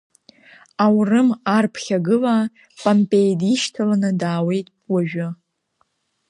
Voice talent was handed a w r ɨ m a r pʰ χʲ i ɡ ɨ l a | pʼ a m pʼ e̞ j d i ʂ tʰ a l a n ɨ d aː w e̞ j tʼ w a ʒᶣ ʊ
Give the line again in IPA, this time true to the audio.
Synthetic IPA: a w r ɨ m a r pʰ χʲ a ɡ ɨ l a | pʼ a m pʼ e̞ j d i ʃ tʰ a l a n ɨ d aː w e̞ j tʼ w a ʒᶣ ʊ

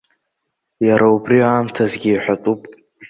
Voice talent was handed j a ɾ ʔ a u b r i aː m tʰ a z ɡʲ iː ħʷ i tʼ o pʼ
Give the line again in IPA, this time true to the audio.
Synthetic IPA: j a ɾ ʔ a u b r i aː m tʰ a z ɡʲ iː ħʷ a tʼ u pʼ

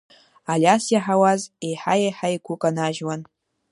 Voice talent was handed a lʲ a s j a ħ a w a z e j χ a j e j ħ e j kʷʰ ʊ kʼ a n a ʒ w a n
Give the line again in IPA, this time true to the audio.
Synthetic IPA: a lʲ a s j a ħ a w a z e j ħ a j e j ħ a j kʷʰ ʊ kʼ a n a ʒ w a n

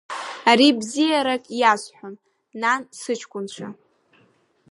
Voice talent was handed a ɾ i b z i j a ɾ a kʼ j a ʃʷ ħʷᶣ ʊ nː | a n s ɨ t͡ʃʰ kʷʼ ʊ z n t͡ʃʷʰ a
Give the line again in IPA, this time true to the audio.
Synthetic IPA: a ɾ i b z i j a ɾ a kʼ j a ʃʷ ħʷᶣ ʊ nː | a n s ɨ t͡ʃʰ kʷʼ ʊ n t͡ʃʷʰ a

